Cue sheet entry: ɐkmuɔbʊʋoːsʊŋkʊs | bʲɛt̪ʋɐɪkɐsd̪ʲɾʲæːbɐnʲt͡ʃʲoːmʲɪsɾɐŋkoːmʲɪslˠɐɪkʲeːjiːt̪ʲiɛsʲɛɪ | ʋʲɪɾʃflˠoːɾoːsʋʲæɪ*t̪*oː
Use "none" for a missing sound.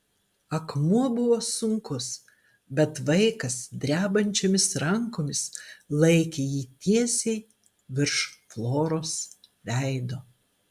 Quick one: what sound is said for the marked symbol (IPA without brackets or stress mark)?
d̪